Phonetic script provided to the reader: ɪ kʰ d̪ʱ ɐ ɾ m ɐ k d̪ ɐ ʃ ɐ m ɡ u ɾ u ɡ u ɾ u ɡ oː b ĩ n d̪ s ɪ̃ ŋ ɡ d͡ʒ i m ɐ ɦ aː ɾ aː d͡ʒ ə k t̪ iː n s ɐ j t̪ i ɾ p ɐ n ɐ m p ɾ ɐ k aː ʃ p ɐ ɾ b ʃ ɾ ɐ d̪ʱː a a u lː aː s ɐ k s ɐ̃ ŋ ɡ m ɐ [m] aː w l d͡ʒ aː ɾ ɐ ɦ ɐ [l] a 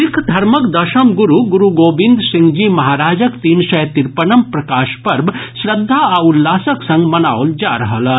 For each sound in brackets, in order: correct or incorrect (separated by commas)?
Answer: incorrect, correct